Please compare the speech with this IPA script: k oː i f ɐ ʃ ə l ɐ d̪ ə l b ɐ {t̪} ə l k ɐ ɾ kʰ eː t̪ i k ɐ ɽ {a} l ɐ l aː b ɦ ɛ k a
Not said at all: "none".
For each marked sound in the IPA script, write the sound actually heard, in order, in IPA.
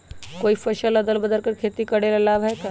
d̪, e

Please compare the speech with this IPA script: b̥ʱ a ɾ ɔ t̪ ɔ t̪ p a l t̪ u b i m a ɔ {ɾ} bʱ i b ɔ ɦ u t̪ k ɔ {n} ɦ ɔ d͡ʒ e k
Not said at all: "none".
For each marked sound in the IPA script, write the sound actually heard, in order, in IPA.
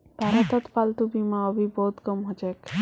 none, m

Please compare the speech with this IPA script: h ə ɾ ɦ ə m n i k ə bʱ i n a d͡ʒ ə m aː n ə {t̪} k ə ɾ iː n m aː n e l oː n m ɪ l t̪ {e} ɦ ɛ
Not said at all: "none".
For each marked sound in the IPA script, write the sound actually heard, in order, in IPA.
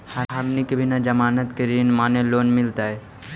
t̪, a

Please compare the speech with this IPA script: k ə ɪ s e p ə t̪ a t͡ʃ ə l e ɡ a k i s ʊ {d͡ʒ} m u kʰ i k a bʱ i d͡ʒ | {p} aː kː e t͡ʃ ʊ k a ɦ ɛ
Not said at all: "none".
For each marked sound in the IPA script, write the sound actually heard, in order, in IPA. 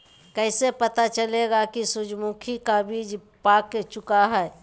d͡ʒ, p

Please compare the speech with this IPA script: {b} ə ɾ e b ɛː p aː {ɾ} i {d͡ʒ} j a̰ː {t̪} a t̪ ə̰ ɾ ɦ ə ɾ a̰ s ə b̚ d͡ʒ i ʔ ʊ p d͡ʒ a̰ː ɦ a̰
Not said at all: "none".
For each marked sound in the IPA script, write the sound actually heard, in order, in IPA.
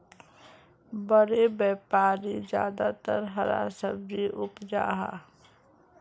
b, ɾ, d͡ʒ, d̪

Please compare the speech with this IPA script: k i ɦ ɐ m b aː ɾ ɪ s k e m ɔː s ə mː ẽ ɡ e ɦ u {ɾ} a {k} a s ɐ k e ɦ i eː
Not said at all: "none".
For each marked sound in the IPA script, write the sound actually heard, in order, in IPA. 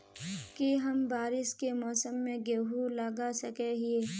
l, ɡ

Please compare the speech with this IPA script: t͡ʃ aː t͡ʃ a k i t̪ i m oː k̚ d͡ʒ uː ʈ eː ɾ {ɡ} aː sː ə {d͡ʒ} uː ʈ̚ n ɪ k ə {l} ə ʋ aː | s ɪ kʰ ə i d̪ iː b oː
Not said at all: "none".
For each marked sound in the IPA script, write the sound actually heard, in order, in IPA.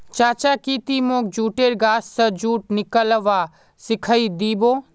ɡ, d͡ʒ, l

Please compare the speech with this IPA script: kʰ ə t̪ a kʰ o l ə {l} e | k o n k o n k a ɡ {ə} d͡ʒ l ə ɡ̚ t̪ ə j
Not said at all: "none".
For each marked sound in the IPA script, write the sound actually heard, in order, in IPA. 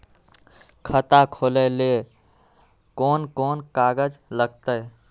l, ə

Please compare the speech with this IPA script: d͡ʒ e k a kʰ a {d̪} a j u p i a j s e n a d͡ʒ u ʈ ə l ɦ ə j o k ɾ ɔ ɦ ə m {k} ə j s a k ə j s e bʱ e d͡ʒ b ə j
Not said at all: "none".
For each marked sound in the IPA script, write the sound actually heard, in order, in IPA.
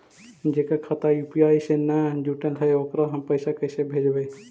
t̪, p

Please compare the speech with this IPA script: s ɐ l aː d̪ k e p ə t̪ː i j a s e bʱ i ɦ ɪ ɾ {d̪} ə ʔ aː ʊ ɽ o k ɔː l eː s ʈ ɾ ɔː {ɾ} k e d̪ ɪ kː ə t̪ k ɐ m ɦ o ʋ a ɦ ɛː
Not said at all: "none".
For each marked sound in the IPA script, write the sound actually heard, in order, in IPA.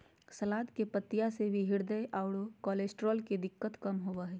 d̪, l

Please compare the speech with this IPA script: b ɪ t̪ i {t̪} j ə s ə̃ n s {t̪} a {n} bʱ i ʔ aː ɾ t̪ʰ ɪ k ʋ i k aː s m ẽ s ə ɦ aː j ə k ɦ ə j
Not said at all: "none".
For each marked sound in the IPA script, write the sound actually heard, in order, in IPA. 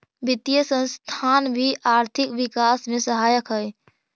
none, t̪ʰ, n

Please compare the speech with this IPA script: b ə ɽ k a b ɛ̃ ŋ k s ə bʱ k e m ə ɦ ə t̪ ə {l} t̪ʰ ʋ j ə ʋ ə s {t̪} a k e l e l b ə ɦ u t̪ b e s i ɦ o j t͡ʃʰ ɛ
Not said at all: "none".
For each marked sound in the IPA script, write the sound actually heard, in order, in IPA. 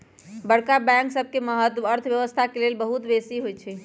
ɾ, t̪ʰ

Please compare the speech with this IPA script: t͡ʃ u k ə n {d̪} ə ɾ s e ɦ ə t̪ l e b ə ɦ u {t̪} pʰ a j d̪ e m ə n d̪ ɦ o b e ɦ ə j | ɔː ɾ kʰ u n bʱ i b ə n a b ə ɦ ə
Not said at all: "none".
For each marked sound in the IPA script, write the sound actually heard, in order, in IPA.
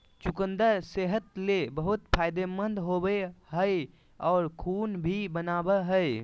d̪, t̪

